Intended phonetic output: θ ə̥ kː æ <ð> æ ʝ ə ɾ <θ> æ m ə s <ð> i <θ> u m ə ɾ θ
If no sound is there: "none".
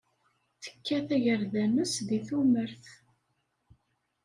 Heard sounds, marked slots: θ, ð, ð, θ

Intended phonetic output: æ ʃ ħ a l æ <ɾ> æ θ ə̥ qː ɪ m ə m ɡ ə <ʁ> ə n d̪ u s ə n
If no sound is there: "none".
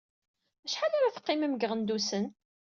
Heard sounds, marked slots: ɾ, ʁ

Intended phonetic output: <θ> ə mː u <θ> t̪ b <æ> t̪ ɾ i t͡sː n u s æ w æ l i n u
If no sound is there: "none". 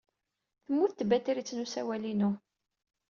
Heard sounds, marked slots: θ, θ, æ

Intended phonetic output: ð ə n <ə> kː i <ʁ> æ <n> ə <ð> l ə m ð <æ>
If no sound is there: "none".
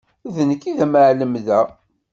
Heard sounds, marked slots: ə, ð, m, ʕ, æ

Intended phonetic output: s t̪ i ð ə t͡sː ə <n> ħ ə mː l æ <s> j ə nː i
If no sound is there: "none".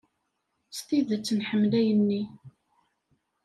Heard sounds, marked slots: n, none

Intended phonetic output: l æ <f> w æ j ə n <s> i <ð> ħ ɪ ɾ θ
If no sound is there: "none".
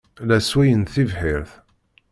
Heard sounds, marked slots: s, θ, v

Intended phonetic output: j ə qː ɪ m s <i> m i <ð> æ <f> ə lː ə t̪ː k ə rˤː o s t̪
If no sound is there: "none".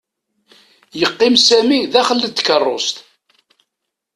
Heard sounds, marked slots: æ, ð, χ

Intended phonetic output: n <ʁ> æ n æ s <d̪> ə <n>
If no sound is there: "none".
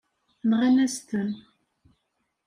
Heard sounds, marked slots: ʁ, t̪, n

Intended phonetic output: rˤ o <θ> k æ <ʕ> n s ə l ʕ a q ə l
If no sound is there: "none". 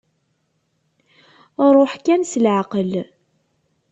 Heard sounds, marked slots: ħ, none

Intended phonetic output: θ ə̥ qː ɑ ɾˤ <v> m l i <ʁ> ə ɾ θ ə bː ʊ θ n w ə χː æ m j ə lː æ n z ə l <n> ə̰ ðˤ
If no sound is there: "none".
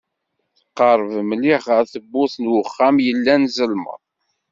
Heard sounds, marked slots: v, χ, m

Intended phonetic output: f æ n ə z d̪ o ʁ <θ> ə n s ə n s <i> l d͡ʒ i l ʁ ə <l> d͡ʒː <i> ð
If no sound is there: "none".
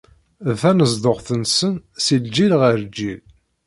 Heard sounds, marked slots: θ, i, ɾ, i

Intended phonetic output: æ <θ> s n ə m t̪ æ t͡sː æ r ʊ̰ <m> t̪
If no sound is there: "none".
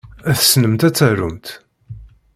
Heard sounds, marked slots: θ, m

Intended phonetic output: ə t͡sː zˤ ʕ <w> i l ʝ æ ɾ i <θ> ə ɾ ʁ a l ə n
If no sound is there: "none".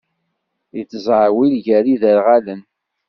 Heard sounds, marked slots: w, ð

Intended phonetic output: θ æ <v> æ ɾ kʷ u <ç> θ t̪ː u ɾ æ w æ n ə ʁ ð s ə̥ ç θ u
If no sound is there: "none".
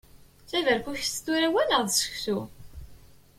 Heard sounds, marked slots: v, ç

